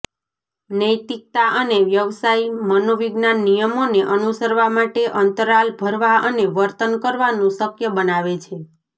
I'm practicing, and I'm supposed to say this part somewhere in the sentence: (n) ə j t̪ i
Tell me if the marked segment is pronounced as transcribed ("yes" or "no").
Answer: yes